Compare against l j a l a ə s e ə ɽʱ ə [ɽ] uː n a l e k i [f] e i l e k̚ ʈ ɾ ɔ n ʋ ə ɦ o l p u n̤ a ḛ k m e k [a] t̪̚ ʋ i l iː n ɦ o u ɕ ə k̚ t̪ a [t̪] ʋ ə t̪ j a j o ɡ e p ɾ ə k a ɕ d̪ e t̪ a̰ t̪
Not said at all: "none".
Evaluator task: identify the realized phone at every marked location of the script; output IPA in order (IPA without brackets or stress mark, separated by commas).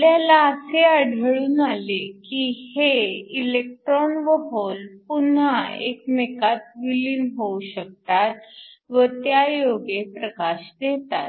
ɭ, h, a, t̪